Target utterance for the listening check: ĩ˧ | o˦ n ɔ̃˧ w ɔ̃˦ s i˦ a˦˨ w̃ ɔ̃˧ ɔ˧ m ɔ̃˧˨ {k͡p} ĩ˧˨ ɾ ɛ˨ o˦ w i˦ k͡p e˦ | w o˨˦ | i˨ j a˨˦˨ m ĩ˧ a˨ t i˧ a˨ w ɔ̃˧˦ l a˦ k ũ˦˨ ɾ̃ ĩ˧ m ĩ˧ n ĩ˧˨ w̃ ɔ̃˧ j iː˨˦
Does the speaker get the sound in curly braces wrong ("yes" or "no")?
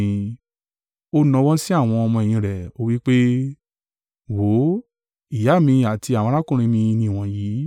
yes